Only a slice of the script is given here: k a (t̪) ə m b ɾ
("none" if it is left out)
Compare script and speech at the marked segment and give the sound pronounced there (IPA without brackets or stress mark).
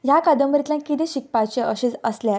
d̪